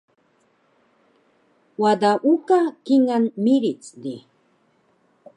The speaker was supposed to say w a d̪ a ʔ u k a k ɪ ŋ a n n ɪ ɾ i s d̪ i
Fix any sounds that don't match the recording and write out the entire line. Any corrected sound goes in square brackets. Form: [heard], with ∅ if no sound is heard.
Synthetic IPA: w a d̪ a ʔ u k a k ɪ ŋ a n [m] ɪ ɾ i [t͡s] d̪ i